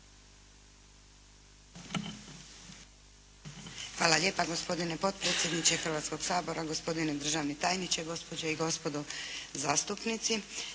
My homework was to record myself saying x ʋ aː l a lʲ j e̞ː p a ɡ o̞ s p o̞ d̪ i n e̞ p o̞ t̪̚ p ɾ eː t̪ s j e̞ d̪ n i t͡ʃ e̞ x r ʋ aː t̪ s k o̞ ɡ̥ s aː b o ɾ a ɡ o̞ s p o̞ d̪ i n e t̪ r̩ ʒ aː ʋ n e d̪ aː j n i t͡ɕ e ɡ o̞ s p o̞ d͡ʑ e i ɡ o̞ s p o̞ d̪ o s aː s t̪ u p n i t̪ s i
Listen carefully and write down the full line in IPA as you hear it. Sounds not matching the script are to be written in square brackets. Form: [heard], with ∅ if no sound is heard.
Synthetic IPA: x ʋ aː l a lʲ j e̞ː p a ɡ o̞ s p o̞ d̪ i n e̞ p o̞ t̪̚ p ɾ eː t̪ s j e̞ d̪ n i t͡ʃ e̞ x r ʋ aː t̪ s k o̞ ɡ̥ s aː b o ɾ a ɡ o̞ s p o̞ d̪ i n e [d̪] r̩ ʒ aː ʋ n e [t̪] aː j n i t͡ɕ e ɡ o̞ s p o̞ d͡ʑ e i ɡ o̞ s p o̞ d̪ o [z] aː s t̪ u p n i t̪ s i